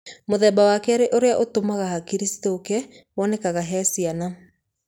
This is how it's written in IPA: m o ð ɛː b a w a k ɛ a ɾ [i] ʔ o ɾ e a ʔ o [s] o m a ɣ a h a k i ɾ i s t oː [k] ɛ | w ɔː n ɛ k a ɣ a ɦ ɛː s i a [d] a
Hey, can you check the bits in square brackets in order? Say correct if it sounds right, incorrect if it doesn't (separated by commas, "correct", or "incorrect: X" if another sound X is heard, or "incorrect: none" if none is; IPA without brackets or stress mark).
incorrect: e, incorrect: t, correct, incorrect: n